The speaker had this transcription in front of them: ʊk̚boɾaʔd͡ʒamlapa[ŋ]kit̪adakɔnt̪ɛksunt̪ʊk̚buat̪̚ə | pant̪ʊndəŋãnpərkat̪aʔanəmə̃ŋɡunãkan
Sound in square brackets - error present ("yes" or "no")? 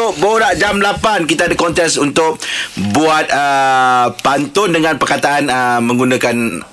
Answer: yes